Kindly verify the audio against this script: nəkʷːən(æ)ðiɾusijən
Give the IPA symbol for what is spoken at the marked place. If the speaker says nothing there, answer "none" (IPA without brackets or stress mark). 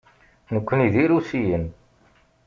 i